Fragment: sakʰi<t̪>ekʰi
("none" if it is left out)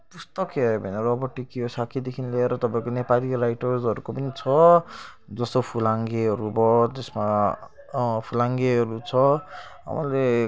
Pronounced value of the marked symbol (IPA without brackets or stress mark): d̪